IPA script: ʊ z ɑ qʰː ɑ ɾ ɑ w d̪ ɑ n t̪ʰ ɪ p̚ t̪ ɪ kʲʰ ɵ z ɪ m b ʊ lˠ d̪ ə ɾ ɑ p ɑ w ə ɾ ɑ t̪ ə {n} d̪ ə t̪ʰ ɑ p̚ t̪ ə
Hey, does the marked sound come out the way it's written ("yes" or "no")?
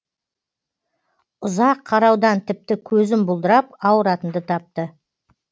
yes